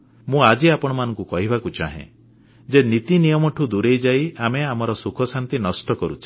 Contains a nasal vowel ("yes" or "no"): yes